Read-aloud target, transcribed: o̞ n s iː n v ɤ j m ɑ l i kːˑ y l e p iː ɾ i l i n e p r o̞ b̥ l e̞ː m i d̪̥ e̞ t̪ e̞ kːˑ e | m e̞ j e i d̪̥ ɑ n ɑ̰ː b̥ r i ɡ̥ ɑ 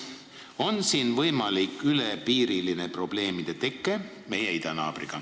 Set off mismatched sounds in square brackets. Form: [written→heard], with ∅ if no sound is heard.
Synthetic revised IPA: o̞ n s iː n v ɤ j m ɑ l i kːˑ y l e p iː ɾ i l i n e p r o̞ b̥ l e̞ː m i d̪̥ e̞ t̪ e̞ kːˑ e | m e̞ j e i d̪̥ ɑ n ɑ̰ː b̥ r i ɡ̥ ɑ